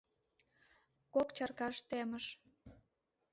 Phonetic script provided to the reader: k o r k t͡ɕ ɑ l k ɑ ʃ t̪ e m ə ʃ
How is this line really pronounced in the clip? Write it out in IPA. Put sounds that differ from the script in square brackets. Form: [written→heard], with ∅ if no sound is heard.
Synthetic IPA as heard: k o [r→∅] k t͡ɕ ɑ [l→r] k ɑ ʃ t̪ e m ə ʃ

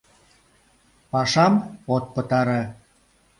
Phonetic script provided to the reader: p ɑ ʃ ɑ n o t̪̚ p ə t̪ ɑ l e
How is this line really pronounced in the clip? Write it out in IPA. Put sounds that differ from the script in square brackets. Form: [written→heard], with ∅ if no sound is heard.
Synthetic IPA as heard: p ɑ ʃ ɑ [n→m] o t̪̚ p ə t̪ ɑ [l→ɾ] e

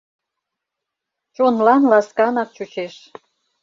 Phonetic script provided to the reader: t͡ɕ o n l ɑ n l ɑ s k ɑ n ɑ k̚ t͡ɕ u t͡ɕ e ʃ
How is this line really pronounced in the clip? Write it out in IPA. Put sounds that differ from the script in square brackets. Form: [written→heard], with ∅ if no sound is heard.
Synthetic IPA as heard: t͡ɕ o n l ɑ n l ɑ s k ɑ n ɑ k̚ t͡ɕ u t͡ɕ e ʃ

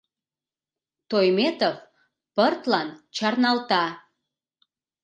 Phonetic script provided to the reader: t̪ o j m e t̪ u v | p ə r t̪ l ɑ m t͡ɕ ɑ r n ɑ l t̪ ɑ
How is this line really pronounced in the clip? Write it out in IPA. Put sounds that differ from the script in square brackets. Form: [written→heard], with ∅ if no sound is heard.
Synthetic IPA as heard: t̪ o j m e t̪ [u→o] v | p ə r t̪ l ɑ [m→n] t͡ɕ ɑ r n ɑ l t̪ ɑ

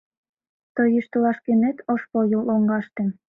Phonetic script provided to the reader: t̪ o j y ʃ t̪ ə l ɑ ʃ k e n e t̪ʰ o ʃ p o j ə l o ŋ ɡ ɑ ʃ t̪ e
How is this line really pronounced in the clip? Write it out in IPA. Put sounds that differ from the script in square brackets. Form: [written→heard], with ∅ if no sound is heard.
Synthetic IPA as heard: t̪ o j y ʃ t̪ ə l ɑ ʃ k e n e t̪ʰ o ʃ p o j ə l o ŋ ɡ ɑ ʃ t̪ e

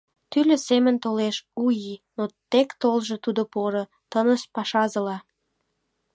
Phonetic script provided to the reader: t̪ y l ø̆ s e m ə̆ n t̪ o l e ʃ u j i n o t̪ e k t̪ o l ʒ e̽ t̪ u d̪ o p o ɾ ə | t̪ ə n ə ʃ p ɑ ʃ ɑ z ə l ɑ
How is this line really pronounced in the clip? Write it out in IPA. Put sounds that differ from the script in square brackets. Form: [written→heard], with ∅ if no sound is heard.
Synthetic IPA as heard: t̪ y l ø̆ s e m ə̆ n t̪ o l e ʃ u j i n o t̪ e k t̪ o l ʒ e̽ t̪ u d̪ o p o ɾ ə | t̪ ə n ə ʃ p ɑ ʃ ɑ z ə l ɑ

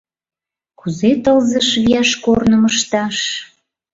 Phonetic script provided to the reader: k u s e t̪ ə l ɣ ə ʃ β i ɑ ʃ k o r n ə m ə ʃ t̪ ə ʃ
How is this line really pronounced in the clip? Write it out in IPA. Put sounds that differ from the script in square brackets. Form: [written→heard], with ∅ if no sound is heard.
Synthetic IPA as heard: k u [s→z] e t̪ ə l [ɣ→z] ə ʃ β i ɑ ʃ k o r n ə m ə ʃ t̪ [ə→ɑ] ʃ

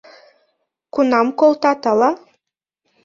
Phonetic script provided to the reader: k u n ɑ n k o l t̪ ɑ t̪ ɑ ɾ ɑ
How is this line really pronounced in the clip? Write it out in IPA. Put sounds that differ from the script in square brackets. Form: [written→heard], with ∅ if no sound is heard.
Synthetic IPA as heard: k u n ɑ [n→m] k o l t̪ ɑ t̪ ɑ [ɾ→l] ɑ

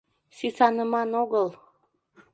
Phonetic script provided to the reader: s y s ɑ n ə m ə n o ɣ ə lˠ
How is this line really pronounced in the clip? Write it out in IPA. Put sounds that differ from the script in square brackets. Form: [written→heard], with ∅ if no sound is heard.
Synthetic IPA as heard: s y s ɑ n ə m [ə→ɑ] n o ɣ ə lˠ

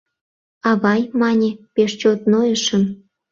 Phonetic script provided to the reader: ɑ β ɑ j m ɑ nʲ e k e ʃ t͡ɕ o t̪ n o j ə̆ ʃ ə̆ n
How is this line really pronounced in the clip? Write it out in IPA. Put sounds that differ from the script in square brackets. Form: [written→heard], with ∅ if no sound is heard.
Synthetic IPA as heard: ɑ β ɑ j m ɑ nʲ e [k→p] e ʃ t͡ɕ o t̪ n o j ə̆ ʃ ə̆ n

